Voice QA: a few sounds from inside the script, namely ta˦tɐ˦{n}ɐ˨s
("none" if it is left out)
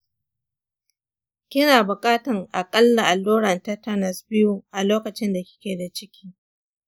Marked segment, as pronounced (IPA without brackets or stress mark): n